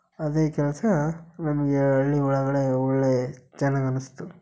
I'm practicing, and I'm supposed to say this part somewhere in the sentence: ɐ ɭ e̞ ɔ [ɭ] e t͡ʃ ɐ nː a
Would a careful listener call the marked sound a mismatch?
yes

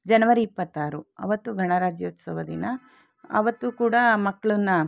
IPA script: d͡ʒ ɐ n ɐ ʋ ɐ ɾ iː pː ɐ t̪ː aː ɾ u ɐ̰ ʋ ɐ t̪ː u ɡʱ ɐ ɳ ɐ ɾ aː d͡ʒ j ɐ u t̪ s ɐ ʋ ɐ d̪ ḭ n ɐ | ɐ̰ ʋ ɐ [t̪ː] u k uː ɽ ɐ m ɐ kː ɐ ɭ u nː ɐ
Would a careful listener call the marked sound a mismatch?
no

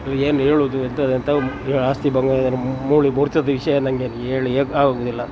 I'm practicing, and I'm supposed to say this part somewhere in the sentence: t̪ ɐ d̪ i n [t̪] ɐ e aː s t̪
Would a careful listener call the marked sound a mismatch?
no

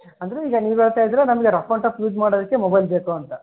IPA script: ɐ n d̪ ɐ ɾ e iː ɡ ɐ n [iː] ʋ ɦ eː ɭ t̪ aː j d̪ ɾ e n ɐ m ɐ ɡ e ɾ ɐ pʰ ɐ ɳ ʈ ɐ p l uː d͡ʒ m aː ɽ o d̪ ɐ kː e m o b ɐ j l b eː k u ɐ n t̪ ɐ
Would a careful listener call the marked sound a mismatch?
no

